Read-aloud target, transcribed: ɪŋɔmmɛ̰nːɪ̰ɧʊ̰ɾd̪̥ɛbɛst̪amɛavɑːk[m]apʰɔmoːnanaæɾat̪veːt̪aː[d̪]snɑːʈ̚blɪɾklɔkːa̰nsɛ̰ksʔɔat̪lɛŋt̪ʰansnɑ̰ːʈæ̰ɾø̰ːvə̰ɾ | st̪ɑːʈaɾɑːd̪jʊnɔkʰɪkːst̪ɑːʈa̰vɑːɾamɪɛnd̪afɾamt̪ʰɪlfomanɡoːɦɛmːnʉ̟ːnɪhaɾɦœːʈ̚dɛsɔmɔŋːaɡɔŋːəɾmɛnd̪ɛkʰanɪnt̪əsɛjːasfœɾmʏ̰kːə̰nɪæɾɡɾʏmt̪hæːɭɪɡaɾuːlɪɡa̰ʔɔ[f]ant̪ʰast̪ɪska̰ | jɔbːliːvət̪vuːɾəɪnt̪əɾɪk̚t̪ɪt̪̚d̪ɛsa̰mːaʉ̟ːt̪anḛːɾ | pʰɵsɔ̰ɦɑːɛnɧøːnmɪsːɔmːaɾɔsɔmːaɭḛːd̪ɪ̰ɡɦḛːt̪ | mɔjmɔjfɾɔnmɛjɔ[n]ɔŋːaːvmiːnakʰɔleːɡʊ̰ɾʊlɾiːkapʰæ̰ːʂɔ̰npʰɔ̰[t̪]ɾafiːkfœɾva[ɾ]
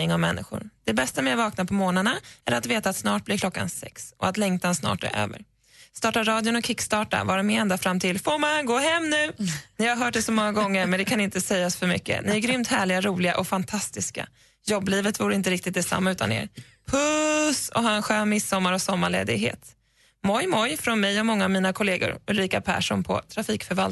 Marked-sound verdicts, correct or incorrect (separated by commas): incorrect, incorrect, correct, incorrect, incorrect, incorrect